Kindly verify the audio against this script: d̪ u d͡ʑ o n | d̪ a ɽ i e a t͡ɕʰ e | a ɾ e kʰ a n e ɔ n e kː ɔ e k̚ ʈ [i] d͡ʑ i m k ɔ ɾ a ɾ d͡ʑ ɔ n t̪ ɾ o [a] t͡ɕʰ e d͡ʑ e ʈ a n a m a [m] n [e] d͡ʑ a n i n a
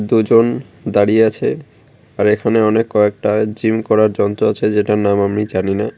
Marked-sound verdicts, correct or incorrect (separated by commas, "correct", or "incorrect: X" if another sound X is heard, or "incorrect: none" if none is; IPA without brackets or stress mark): incorrect: a, correct, correct, incorrect: i